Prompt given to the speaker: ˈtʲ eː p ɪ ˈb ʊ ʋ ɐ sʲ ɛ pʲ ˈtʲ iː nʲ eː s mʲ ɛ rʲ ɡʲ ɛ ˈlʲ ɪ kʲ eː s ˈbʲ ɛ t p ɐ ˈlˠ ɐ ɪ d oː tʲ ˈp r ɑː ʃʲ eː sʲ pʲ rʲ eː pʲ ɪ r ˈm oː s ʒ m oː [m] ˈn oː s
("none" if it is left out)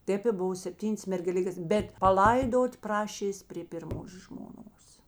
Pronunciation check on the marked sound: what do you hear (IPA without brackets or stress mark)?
none